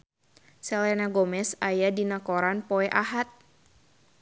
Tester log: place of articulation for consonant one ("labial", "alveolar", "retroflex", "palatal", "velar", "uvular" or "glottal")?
alveolar